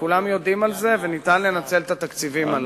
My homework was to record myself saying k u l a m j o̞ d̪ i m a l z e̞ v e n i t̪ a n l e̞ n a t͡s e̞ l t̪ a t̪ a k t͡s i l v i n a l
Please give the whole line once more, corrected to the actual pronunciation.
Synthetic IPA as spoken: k u l a m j o̞ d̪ i m a l z e̞ v e n i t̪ a n l e̞ n a t͡s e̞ l t̪ a t̪ a k t͡s i v i m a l